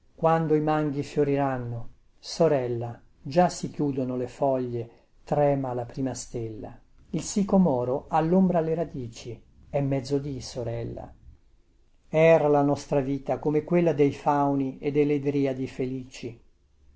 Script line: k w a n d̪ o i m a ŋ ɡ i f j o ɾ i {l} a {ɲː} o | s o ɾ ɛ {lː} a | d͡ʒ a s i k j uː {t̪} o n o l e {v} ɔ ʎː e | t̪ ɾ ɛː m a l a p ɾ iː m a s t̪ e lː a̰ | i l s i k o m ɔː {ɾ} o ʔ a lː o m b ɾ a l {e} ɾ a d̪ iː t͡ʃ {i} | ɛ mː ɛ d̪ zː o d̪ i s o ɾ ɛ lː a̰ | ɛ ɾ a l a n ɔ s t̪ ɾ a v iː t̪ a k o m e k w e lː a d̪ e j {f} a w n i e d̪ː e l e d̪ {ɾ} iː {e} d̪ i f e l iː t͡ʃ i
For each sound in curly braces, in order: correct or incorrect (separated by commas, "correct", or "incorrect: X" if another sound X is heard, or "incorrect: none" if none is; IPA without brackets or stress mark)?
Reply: incorrect: ɾ, incorrect: nː, correct, incorrect: d̪, incorrect: f, correct, correct, correct, correct, correct, incorrect: a